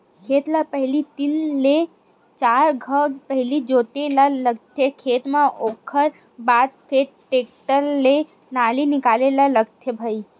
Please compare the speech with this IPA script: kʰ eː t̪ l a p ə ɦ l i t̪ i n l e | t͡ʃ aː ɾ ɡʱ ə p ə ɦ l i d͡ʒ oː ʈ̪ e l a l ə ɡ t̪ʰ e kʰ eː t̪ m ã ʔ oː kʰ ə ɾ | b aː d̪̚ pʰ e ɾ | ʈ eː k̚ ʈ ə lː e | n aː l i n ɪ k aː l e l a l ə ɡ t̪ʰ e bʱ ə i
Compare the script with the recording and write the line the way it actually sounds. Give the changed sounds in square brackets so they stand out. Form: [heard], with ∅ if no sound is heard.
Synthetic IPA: kʰ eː t̪ l a p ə ɦ l i t̪ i n l e | t͡ʃ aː ɾ ɡʱ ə p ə ɦ l i d͡ʒ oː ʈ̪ e l a l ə ɡ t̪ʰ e kʰ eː t̪ m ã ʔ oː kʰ ə ɾ | b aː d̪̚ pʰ e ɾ | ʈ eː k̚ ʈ ə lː e | n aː l i n ɪ k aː l e l a l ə ɡ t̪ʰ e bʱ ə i

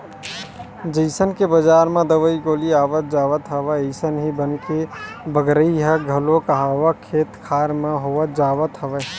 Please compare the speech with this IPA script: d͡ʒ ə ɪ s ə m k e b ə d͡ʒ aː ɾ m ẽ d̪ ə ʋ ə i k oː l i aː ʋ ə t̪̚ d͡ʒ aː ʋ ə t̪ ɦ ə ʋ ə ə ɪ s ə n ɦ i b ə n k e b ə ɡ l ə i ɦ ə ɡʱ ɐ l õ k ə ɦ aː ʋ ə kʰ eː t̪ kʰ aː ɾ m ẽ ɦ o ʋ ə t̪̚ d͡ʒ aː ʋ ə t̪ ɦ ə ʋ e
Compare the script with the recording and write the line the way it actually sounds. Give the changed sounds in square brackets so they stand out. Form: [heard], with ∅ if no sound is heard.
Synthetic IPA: d͡ʒ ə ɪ s ə [n] k e b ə d͡ʒ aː ɾ m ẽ d̪ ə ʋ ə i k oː l i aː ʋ ə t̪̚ d͡ʒ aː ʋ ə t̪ ɦ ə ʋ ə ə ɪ s ə n ɦ i b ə n k e b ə ɡ [ɾ] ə i ɦ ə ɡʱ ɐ l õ k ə ɦ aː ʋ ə kʰ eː t̪ kʰ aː ɾ m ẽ ɦ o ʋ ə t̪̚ d͡ʒ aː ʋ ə t̪ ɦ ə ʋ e

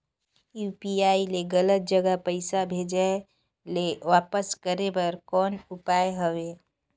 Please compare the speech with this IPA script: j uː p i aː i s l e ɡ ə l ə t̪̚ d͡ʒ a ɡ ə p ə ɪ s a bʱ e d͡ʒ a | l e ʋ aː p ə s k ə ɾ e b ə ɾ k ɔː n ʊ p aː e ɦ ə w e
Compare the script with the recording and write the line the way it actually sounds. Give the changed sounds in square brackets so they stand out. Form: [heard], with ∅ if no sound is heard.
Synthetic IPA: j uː p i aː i [∅] l e ɡ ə l ə t̪̚ d͡ʒ [ə] ɡ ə p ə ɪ s a bʱ e d͡ʒ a | l e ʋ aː p ə s k ə ɾ e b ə ɾ k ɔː n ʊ p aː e ɦ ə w e

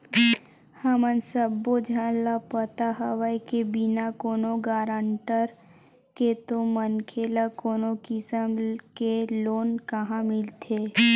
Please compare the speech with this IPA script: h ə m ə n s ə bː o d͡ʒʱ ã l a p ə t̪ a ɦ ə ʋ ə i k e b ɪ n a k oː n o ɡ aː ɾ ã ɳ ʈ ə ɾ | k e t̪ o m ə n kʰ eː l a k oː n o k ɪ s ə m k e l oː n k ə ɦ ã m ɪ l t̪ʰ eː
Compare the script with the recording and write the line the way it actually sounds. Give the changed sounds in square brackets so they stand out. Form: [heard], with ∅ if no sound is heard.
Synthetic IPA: h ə m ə n s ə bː o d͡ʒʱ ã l a p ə t̪ a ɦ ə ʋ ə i k e b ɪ n a k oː n o ɡ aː ɾ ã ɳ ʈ ə ɾ | k e t̪ o m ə n kʰ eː l a k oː n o k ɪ s ə m k e l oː n k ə ɦ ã m ɪ l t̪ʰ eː

